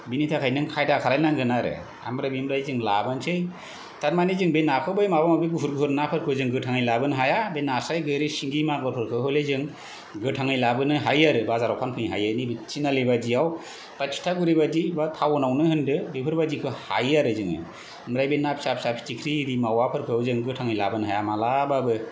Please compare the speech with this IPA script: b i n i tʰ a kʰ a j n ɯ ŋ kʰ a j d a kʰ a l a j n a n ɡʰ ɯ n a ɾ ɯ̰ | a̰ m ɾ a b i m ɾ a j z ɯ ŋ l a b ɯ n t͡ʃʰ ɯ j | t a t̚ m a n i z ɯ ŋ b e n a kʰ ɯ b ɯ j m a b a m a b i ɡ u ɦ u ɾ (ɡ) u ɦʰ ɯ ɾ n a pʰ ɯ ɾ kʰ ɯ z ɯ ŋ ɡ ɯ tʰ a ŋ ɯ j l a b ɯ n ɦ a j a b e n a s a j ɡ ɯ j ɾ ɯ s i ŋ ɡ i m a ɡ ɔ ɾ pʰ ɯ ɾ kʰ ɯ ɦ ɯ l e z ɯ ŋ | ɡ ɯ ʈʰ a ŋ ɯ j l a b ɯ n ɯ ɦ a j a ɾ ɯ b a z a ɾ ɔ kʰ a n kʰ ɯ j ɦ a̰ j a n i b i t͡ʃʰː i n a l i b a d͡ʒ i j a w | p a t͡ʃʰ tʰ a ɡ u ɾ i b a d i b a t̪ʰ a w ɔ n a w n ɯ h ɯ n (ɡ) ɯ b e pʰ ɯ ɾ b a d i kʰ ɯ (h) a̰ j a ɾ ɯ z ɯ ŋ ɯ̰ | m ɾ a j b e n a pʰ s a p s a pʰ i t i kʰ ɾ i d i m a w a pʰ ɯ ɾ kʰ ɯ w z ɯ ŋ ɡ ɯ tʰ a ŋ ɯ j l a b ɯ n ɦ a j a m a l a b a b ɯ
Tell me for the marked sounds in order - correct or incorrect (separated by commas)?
correct, incorrect, correct